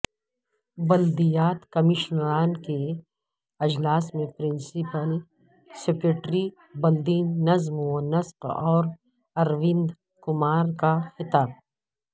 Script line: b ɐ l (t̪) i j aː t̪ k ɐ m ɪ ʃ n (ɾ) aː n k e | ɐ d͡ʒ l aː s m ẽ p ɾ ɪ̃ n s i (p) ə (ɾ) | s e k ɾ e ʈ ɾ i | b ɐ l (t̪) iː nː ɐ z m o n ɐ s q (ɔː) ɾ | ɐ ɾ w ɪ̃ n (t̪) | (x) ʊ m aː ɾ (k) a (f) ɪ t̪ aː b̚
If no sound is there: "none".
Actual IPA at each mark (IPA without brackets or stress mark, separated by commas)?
d̪, ɾ, p, l, d̪, ɔː, d̪, k, k, x